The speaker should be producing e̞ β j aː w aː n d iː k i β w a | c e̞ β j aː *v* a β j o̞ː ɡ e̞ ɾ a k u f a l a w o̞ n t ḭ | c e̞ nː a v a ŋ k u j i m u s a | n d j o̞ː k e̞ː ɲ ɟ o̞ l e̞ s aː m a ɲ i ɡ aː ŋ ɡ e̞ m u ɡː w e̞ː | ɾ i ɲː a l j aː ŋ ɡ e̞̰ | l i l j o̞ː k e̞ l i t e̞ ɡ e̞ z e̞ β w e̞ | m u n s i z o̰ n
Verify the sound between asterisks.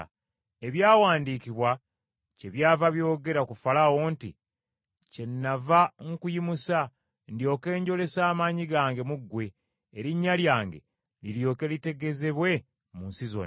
correct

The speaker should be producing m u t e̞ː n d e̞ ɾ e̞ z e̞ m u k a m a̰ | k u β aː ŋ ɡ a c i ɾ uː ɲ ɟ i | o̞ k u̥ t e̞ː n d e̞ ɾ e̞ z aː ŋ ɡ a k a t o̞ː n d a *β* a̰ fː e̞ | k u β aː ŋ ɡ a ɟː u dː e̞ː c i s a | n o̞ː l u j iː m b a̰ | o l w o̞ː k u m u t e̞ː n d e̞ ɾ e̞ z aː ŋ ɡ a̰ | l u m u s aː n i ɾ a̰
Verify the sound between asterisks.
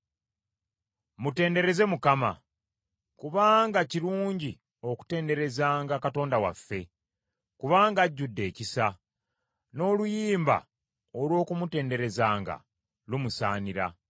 incorrect: w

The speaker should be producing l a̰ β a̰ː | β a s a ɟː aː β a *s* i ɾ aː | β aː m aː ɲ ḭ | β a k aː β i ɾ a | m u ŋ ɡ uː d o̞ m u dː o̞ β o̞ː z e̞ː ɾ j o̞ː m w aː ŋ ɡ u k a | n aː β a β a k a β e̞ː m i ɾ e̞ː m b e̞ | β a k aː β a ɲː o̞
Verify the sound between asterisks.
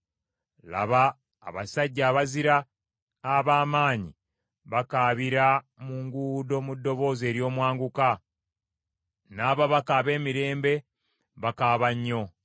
incorrect: z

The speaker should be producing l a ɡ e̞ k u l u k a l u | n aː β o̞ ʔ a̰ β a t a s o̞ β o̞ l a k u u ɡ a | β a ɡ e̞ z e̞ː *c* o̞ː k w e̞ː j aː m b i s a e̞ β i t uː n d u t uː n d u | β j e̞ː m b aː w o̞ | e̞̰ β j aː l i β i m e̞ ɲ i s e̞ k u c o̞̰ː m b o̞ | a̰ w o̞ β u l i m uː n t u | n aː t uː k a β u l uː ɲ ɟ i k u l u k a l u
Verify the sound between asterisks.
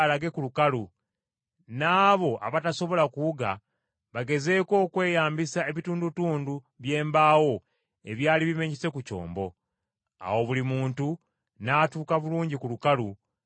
incorrect: k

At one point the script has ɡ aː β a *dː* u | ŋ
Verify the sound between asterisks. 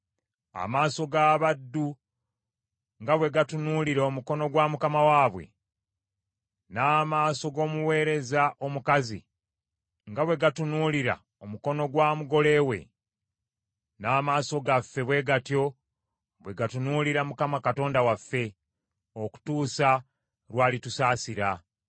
correct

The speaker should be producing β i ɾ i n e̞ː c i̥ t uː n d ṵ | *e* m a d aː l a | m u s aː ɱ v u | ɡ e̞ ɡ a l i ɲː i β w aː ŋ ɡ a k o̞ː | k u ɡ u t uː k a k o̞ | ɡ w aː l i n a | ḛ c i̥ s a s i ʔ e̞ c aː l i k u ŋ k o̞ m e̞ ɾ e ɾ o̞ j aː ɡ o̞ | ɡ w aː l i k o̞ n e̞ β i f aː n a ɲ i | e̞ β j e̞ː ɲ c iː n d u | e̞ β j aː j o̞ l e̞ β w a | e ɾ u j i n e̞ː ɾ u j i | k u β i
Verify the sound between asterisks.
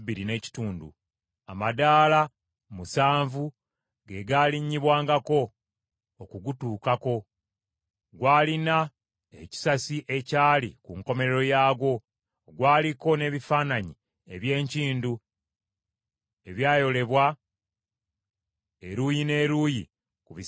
incorrect: a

